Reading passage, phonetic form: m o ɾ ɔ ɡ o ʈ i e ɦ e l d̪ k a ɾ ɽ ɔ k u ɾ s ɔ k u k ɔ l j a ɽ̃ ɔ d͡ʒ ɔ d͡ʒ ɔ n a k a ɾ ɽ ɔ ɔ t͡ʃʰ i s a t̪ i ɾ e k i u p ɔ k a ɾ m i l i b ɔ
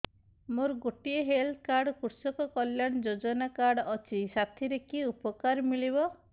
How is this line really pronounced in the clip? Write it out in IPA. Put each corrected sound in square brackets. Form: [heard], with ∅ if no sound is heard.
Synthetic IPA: m o ɾ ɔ ɡ o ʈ i e ɦ e l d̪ k a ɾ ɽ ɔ k u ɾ s ɔ k [ɔ] k ɔ l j a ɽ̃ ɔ d͡ʒ [o] d͡ʒ ɔ n a k a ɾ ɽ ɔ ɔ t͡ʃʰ i s a [t̪ʰ] i ɾ e k i u p ɔ k a ɾ m i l i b ɔ

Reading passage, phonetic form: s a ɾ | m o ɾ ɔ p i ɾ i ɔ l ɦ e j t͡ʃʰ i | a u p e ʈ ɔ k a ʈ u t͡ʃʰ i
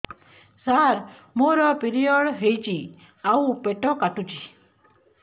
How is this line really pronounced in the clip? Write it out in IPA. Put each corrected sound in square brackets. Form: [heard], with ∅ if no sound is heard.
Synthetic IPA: s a ɾ | m o ɾ ɔ p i ɾ i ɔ [ɽ] ɦ e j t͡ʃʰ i | a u p e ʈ ɔ k a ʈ u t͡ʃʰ i

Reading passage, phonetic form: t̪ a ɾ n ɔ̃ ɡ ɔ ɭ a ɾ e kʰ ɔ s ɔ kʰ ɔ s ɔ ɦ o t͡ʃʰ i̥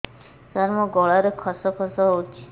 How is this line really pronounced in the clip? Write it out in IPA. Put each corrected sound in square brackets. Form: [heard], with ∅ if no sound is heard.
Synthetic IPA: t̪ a ɾ [m] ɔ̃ ɡ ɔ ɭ a ɾ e kʰ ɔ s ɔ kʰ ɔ s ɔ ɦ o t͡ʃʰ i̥

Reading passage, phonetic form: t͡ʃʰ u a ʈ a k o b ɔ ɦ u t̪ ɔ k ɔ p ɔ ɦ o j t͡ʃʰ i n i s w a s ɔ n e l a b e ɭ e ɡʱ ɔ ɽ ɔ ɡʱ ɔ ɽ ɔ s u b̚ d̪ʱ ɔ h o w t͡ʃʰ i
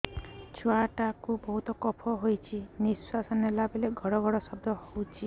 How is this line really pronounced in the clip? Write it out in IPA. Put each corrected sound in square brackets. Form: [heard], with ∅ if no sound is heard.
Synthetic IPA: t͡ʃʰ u a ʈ a k [u] b ɔ ɦ u t̪ ɔ k ɔ [pʰ] ɔ ɦ o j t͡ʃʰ i n i s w a s ɔ n e l a b e [l] e ɡʱ ɔ ɽ ɔ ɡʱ ɔ ɽ ɔ s [ɔ] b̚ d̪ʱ ɔ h o w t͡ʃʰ i

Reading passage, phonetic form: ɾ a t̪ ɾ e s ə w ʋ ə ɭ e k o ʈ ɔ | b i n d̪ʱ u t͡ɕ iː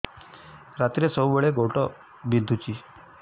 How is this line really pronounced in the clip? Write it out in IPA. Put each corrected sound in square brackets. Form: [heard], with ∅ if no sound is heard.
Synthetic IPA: ɾ a t̪ ɾ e s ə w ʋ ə ɭ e [ɡ] o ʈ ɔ | b i n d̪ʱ u t͡ɕ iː

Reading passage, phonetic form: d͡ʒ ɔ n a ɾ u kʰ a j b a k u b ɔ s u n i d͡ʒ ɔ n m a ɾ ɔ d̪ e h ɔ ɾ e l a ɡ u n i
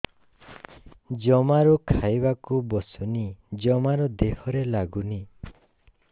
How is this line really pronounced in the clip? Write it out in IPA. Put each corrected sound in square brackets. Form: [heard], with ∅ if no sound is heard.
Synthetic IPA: d͡ʒ ɔ [m] a ɾ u kʰ a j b a k u b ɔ s u n i d͡ʒ ɔ [∅] m a ɾ ɔ d̪ e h ɔ ɾ e l a ɡ u n i

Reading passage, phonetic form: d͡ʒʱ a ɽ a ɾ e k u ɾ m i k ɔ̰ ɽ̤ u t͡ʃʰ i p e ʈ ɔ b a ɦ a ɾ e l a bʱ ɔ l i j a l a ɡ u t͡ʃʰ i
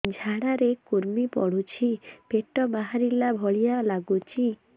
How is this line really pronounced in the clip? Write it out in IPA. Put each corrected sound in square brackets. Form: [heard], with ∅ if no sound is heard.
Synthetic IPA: d͡ʒʱ a ɽ a ɾ e k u ɾ m i [p] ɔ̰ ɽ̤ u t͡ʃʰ i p e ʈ ɔ b a ɦ a ɾ [i] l a bʱ ɔ [ɭ] i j a l a ɡ u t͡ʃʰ i

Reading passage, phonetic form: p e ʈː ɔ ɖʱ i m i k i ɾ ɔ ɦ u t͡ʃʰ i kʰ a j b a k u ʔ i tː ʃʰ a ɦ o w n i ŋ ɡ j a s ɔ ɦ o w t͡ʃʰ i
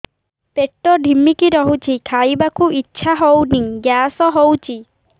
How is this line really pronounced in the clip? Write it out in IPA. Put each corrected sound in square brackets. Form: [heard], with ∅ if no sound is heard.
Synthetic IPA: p e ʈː ɔ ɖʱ i m i k i ɾ ɔ ɦ u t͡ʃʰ i kʰ a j b a k u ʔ i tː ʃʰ a ɦ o w n i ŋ ɡ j a s ɔ ɦ o w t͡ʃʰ i

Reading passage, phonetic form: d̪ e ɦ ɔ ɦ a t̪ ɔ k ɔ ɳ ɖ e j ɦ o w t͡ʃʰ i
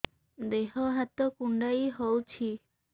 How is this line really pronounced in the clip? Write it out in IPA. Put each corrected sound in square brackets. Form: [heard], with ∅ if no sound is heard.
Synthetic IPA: d̪ e ɦ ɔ ɦ a t̪ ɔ k [u] ɳ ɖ [a] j ɦ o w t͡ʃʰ i

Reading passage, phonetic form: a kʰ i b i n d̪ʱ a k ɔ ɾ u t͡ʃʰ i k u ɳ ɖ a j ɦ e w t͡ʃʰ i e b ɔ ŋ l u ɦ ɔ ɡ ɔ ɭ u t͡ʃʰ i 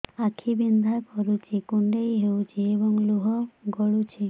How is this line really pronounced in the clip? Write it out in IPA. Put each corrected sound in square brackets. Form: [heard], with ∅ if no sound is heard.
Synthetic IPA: a kʰ i b i n d̪ʱ a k ɔ ɾ u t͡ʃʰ i k u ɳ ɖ [e] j ɦ e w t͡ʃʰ i e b ɔ ŋ l u ɦ ɔ ɡ ɔ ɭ u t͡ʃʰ i

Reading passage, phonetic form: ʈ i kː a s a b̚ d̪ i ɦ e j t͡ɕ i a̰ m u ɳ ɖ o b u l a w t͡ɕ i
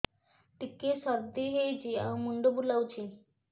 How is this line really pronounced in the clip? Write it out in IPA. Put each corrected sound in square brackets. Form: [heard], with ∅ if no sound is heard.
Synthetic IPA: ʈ i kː [e] s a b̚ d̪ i ɦ e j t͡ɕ i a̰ m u ɳ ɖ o b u l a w t͡ɕ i

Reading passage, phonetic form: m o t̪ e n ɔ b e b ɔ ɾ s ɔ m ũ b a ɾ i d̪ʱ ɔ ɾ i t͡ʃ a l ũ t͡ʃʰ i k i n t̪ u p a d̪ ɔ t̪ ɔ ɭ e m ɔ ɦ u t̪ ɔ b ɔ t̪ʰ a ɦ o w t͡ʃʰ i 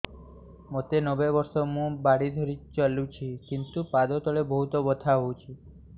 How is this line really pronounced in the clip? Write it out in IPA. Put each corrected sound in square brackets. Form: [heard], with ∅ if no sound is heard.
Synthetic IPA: m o t̪ e n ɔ b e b ɔ ɾ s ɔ m ũ b a [ɽ] i d̪ʱ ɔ ɾ i t͡ʃ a l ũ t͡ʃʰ i k i n t̪ u p a d̪ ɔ t̪ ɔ ɭ e [b] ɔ ɦ u t̪ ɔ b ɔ t̪ʰ a ɦ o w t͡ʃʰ i

